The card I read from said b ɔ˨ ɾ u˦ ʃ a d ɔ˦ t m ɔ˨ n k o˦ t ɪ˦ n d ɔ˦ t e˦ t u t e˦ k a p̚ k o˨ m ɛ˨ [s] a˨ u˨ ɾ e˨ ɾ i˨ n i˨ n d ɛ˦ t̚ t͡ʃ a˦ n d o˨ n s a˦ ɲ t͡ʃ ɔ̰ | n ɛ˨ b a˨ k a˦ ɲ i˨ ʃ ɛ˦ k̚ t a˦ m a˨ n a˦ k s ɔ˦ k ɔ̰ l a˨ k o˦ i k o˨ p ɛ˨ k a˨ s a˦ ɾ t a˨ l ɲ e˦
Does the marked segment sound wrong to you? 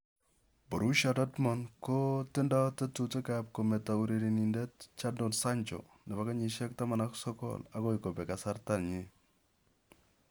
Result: yes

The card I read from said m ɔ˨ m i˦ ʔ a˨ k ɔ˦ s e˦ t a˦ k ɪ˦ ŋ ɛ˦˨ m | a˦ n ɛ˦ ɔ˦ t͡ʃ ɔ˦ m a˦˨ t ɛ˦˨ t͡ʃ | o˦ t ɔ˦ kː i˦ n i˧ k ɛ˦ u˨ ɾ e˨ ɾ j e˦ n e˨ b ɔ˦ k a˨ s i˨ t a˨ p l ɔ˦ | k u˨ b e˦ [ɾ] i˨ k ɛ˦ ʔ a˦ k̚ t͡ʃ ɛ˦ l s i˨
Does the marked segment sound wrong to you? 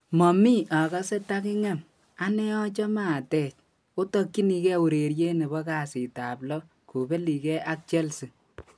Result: yes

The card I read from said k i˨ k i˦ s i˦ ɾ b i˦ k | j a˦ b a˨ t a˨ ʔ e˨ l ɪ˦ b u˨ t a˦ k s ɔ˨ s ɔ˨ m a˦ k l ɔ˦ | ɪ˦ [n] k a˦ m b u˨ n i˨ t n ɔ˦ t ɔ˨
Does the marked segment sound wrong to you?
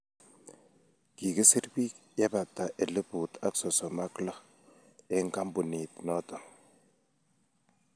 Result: yes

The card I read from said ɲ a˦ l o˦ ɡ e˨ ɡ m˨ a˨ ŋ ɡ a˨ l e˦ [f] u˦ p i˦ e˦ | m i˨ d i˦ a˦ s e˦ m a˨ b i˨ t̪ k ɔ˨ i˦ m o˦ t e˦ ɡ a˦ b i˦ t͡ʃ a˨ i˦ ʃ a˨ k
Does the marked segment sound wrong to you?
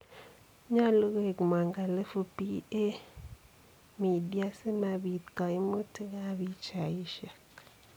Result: no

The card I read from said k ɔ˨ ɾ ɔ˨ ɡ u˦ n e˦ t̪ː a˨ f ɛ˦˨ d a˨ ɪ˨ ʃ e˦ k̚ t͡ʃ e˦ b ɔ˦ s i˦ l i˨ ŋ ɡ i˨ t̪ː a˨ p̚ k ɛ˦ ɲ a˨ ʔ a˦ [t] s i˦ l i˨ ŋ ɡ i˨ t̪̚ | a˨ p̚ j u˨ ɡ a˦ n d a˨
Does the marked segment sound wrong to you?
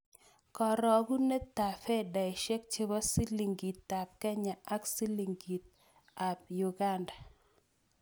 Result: yes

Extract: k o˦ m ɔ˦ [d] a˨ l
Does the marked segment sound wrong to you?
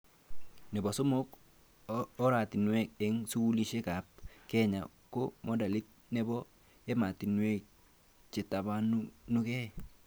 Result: no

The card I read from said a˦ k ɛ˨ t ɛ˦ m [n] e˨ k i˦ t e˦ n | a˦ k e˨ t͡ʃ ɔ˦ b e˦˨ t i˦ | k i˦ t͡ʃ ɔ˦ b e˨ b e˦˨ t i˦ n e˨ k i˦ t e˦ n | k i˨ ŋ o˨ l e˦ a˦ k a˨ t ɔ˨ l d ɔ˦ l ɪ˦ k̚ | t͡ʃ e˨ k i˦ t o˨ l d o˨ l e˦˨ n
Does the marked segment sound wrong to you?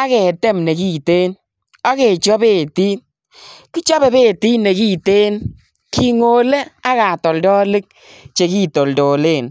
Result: no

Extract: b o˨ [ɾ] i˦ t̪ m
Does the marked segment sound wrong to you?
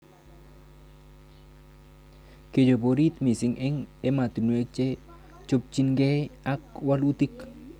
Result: no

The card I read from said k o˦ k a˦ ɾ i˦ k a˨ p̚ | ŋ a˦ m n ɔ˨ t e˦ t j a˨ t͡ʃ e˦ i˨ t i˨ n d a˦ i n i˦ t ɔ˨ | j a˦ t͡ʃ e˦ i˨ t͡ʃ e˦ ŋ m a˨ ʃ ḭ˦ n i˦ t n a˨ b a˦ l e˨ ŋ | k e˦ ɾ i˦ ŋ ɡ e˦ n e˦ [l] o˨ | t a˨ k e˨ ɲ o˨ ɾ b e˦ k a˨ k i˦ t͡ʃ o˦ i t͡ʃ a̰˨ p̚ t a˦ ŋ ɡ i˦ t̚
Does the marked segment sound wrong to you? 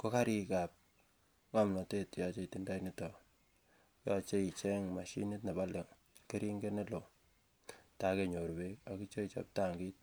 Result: no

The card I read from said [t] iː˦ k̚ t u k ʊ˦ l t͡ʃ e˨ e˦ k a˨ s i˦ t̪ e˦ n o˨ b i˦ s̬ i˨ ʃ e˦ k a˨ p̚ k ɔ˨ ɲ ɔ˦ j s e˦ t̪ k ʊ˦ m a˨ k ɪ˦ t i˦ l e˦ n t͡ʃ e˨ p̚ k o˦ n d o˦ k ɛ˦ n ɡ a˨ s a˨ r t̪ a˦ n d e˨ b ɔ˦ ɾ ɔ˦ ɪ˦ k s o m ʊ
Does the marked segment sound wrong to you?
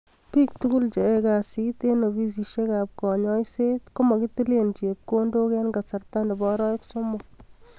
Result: yes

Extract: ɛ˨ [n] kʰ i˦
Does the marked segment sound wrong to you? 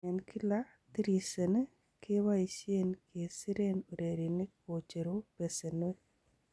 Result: no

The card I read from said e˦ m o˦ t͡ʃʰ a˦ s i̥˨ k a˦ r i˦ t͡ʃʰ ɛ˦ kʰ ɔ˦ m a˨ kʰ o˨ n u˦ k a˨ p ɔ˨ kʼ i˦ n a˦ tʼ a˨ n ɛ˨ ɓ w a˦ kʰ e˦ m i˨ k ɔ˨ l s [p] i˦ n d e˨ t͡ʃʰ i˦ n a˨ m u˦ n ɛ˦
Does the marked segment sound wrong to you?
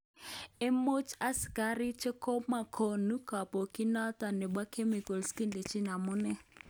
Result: yes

